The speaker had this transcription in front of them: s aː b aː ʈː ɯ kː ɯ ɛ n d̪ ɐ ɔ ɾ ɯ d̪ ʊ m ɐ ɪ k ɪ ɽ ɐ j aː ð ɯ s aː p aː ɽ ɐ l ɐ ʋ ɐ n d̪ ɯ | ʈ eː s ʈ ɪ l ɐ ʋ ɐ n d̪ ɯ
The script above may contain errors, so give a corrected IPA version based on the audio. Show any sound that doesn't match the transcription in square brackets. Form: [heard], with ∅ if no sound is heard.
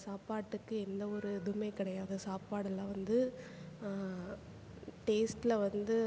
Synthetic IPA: s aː [p] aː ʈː ɯ kː ɯ ɛ n d̪ ɐ ɔ ɾ ɯ d̪ ʊ m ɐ ɪ k ɪ ɽ ɐ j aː ð ɯ s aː p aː ɽ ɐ l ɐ ʋ ɐ n d̪ ɯ | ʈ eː s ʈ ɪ l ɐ ʋ ɐ n d̪ ɯ

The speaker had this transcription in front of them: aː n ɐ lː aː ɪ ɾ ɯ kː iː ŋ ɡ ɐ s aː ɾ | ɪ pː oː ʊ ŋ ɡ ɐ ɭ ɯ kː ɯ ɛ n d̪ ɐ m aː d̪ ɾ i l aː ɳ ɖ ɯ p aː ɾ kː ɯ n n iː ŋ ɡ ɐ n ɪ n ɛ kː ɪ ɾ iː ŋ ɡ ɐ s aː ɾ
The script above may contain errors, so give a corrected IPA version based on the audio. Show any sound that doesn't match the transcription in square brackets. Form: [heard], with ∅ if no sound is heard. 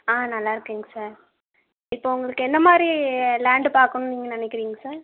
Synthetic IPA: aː n ɐ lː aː ɪ ɾ ɯ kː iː ŋ ɡ ɐ s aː ɾ | ɪ pː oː ʊ ŋ ɡ ɐ ɭ ɯ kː ɯ ɛ n d̪ ɐ m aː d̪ ɾ i l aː ɳ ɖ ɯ p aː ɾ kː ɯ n n iː ŋ ɡ ɐ n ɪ n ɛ kː ɪ ɾ iː ŋ ɡ ɐ s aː ɾ

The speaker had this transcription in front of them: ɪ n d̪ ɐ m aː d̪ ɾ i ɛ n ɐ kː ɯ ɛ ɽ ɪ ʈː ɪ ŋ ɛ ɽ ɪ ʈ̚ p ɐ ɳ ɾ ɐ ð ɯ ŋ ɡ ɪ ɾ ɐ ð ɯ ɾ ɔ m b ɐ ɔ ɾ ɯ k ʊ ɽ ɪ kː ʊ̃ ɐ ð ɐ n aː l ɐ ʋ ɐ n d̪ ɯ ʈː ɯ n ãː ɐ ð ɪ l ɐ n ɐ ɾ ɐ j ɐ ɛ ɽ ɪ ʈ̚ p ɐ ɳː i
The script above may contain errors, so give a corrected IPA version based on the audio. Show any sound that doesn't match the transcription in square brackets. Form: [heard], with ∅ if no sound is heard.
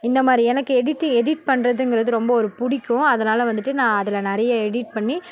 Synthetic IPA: ɪ n d̪ ɐ m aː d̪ ɾ i ɛ n ɐ kː ɯ ɛ ɽ ɪ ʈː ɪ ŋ ɛ ɽ ɪ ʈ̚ p ɐ ɳ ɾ ɐ ð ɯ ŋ ɡ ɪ ɾ ɐ ð ɯ ɾ ɔ m b ɐ ɔ ɾ ɯ [p] ʊ ɽ ɪ kː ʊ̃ ɐ ð ɐ n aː l ɐ ʋ ɐ n d̪ ɯ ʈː ɯ n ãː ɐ ð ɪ l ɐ n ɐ ɾ ɐ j ɐ ɛ ɽ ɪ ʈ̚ p ɐ ɳː i

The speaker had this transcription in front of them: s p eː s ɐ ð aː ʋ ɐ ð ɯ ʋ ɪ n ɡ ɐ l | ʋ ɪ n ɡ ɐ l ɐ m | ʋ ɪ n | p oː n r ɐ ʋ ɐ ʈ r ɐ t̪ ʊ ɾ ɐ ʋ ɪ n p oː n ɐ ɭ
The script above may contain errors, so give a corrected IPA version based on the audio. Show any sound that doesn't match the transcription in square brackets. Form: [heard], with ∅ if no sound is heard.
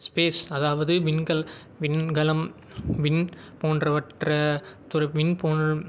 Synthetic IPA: s p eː s ɐ ð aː ʋ ɐ ð ɯ ʋ ɪ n ɡ ɐ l | ʋ ɪ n ɡ ɐ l ɐ m | ʋ ɪ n | p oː n r ɐ ʋ ɐ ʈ r ɐ t̪ ʊ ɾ ɐ ʋ ɪ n p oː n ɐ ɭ

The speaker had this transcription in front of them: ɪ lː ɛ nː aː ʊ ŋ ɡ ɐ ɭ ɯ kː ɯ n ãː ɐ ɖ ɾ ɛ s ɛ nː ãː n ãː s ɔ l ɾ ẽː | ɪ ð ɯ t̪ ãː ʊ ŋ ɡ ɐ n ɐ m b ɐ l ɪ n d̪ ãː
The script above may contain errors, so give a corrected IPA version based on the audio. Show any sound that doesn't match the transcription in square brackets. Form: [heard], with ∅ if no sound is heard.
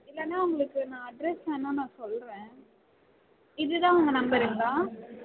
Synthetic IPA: ɪ lː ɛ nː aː ʊ ŋ ɡ ɐ ɭ ɯ kː ɯ n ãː ɐ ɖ ɾ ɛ s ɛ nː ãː n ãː s ɔ l ɾ ẽː | ɪ ð ɯ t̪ ãː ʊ ŋ ɡ ɐ n ɐ m b ɐ [ɾ] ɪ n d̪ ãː

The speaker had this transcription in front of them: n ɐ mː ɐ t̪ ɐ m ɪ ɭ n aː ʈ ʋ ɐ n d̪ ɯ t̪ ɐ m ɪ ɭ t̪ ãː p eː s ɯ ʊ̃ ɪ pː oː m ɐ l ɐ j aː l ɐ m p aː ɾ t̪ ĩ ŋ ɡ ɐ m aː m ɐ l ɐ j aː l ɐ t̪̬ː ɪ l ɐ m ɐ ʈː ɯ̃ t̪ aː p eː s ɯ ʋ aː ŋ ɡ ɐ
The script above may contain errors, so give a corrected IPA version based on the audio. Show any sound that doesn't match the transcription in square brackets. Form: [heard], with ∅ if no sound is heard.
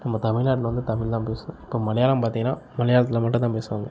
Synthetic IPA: n ɐ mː ɐ t̪ ɐ m ɪ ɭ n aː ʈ ʋ ɐ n d̪ ɯ t̪ ɐ m ɪ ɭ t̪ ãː p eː s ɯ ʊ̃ ɪ pː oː m ɐ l ɐ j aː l ɐ m p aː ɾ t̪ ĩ ŋ ɡ ɐ [n] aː m ɐ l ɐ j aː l ɐ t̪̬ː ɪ l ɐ m ɐ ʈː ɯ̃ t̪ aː p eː s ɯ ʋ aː ŋ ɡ ɐ

